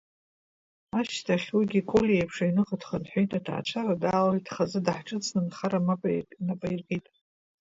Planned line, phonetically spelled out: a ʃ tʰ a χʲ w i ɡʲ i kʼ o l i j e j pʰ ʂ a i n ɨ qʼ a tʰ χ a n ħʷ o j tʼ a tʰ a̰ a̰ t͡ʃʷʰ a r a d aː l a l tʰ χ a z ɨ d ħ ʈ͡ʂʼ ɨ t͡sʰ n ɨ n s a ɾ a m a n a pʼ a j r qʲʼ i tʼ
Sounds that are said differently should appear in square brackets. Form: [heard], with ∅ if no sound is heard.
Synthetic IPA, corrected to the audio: a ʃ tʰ a χʲ w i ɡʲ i kʼ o l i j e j pʰ ʂ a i n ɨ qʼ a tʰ χ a n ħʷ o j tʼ a tʰ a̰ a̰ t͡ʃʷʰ a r a d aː l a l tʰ χ a z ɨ d ħ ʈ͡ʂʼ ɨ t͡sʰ n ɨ n [χ] a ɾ a m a n a pʼ a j r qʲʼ i tʼ

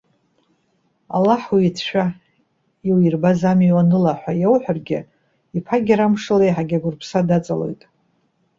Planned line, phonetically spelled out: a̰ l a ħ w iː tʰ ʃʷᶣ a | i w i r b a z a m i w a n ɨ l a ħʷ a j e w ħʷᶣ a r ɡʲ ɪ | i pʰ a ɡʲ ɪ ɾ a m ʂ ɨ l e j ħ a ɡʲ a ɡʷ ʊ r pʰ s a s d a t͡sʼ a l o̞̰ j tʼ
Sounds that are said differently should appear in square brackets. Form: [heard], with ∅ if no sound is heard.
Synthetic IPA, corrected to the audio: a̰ l a ħ w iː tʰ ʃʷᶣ a | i w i r b a z a m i w a n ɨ l a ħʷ a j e w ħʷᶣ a r ɡʲ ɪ | i pʰ a ɡʲ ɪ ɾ a m ʂ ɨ l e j ħ a ɡʲ a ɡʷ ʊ r pʰ s a [∅] d a t͡sʼ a l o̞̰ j tʼ

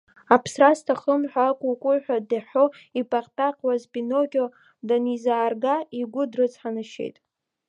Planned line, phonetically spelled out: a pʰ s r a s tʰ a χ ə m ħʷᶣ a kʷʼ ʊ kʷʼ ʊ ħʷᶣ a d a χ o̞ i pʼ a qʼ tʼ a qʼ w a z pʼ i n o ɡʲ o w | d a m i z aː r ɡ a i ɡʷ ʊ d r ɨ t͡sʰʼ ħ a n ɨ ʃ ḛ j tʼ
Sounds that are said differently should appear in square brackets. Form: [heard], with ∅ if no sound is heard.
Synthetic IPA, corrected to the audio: a pʰ s r a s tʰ a χ ə m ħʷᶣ a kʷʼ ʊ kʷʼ ʊ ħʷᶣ a d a [ħ] o̞ i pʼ a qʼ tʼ a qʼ w a z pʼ i n o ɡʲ o [∅] | d a [n] i z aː r ɡ a i ɡʷ ʊ d r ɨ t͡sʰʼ ħ a n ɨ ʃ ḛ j tʼ

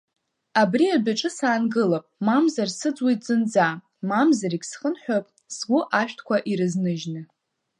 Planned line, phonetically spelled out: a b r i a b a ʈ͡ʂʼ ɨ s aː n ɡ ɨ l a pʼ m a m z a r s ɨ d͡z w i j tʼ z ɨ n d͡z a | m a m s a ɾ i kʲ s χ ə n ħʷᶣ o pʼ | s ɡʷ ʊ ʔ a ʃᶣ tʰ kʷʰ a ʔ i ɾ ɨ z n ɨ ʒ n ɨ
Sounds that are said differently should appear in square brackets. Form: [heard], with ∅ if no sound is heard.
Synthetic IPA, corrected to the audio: a b r i a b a ʈ͡ʂʼ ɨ s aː n ɡ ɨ l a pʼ m a m z a r s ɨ d͡z w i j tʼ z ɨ n d͡z a | m a m [z] a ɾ i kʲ s χ ə n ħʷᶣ o pʼ | s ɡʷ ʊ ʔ a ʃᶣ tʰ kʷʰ a ʔ i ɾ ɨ z n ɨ ʒ n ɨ

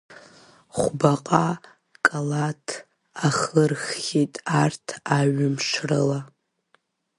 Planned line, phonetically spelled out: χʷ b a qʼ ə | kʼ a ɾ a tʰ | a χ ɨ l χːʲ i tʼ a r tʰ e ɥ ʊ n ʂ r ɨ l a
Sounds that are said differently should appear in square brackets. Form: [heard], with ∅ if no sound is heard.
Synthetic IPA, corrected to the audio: χʷ b a qʼ [a] | kʼ a [l] a tʰ | a χ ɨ [r] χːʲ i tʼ a r tʰ [a] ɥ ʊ [m] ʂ r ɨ l a

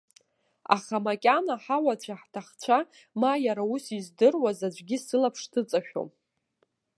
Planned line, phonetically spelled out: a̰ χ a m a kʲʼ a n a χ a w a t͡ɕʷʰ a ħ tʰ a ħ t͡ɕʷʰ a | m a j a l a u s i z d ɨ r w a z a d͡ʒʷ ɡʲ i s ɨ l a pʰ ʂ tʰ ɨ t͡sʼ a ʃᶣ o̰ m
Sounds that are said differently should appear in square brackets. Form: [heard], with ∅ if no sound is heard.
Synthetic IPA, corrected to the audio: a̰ χ a m a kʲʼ a n a [ħ] a w a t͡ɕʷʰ a ħ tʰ a [χ] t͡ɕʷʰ a | m a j a [ɾ] a u s i z d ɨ r w a z a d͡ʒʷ ɡʲ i s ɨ l a pʰ ʂ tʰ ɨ t͡sʼ a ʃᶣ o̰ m

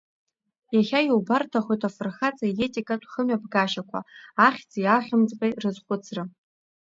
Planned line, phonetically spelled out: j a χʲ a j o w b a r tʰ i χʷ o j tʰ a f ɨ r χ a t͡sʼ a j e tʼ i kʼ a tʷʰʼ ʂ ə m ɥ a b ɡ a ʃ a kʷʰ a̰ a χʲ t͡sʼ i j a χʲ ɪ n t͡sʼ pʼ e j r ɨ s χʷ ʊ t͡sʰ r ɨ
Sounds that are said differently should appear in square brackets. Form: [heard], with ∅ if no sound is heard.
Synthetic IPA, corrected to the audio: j a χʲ a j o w b a r tʰ [a] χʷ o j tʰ a f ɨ r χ a t͡sʼ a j e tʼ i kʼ a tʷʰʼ [χ] ə m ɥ a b ɡ a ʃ a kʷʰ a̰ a χʲ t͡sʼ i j a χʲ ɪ [m] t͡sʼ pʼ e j r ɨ [z] χʷ ʊ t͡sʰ r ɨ

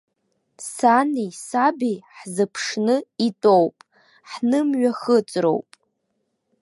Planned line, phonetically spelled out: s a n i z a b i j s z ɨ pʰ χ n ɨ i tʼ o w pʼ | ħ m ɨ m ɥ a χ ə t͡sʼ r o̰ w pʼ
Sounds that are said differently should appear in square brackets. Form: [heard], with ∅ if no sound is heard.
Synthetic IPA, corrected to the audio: s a n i [s] a b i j [ħ] z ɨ pʰ [ʂ] n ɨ i tʼ o w pʼ | ħ [n] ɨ m ɥ a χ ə t͡sʼ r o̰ w pʼ

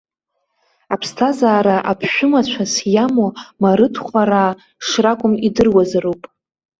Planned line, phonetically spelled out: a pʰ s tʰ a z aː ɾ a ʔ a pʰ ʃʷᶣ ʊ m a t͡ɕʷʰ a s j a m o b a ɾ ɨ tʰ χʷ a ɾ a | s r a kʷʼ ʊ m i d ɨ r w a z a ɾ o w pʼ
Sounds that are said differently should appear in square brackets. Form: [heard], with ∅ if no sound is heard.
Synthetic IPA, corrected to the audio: a pʰ s tʰ a z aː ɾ a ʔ a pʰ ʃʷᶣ ʊ m a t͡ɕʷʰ a s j a m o [m] a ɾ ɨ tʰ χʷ a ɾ a | [ʂ] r a kʷʼ ʊ m i d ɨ r w a z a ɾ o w pʼ

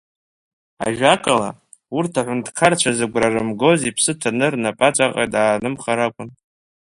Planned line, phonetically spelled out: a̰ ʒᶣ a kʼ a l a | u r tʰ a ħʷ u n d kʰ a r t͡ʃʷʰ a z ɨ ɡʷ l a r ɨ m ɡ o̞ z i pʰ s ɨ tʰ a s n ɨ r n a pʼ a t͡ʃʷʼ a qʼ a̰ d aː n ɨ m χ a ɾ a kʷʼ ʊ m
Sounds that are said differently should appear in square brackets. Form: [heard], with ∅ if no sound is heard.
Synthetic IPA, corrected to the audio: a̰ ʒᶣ a kʼ a l a | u r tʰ a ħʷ [ʊ] n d kʰ a r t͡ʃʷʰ a z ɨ ɡʷ [r] a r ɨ m ɡ o̞ z i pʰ s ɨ tʰ a [∅] n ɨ r n a pʼ a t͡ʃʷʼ a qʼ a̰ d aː n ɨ m χ a ɾ a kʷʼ ʊ [n]

